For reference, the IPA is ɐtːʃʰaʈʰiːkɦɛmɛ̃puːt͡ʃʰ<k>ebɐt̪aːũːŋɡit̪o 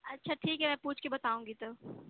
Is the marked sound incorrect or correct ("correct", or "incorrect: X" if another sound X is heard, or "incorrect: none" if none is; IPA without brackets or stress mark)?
correct